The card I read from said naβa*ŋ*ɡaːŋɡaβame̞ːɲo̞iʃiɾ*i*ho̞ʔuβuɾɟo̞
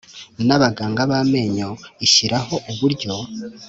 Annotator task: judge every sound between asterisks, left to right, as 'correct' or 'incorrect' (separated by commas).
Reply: incorrect, incorrect